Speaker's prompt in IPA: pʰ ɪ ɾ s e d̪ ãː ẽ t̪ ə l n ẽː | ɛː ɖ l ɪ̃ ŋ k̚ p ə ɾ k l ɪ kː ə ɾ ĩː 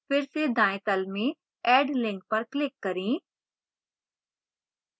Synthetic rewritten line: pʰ ɪ ɾ s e d̪ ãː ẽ t̪ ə l m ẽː | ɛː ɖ l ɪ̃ ŋ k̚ p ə ɾ k l ɪ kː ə ɾ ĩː